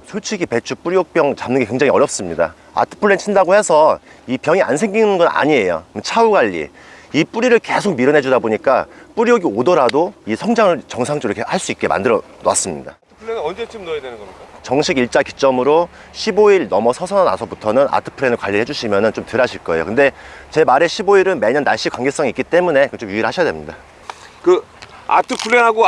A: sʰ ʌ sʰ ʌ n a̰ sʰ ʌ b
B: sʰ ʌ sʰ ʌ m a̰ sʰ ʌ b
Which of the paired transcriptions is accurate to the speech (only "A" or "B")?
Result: A